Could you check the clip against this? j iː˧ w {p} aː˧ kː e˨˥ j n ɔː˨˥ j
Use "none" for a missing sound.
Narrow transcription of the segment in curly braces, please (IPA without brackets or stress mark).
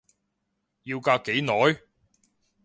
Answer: k